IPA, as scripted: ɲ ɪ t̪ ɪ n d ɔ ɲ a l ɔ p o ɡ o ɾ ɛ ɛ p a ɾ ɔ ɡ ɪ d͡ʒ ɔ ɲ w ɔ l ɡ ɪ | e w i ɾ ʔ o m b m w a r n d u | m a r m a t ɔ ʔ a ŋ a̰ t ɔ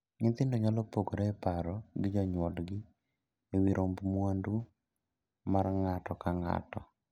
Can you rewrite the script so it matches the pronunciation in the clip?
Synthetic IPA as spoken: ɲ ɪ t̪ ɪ n d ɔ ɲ a l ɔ p o ɡ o ɾ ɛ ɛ p a ɾ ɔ ɡ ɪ d͡ʒ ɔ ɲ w ɔ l ɡ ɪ | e w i ɾ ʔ o m b m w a n d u | m a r ŋ a t ɔ k a ŋ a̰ t ɔ

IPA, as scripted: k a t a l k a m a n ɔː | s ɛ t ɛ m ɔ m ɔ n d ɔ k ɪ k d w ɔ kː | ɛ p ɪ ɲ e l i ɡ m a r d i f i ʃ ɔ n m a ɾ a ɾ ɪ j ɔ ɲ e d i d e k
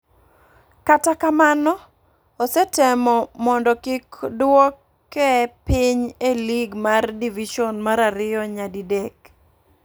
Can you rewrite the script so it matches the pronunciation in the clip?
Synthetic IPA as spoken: k a t a k a m a n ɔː | s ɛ t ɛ m ɔ m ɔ n d ɔ k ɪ k d w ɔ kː | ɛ p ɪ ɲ e l i ɡ m a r d i v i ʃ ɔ n m a ɾ a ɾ ɪ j ɔ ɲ a d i d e k

